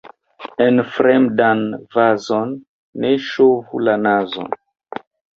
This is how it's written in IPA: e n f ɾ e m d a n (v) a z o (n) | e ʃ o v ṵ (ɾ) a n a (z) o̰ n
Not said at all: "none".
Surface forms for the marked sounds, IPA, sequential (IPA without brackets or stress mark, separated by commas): v, nː, l, z